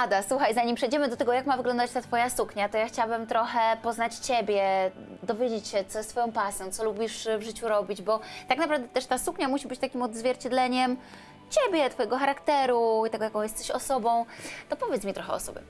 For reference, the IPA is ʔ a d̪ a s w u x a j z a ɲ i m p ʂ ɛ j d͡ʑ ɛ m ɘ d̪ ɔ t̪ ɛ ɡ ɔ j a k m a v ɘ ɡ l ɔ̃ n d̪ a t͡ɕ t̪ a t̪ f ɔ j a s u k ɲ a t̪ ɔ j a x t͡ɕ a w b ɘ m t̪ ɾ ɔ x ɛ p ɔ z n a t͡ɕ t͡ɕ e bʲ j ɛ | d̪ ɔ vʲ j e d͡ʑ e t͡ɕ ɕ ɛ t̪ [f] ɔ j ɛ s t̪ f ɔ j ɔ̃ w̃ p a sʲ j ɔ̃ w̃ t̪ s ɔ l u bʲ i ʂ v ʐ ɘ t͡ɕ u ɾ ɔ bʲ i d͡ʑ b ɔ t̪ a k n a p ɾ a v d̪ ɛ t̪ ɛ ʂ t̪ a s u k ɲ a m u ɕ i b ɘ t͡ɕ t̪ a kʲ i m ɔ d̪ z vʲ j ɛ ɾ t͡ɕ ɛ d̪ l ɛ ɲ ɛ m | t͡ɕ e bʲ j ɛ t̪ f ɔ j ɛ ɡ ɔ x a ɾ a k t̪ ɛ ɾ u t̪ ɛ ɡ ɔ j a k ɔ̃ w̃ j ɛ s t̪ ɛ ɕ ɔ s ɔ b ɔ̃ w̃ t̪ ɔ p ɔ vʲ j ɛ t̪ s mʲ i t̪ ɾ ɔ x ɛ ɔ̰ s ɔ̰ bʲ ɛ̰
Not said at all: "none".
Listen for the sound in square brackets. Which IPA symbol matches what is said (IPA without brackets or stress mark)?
s